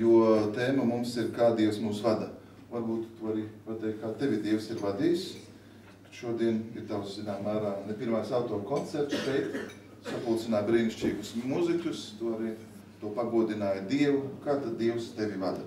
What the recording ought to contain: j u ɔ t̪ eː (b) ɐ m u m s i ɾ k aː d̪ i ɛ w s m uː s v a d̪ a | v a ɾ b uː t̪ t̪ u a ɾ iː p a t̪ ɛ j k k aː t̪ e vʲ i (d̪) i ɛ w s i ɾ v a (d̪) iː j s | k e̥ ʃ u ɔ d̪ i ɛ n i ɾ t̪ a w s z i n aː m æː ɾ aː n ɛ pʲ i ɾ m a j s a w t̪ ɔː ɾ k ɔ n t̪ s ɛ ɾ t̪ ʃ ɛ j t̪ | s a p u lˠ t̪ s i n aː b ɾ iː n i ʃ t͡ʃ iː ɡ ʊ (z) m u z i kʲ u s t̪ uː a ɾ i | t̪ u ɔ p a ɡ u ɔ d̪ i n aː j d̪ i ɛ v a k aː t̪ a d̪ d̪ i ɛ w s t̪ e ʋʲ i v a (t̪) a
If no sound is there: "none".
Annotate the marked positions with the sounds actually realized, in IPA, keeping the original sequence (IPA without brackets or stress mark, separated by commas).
m, d̪, d̪, s, d̪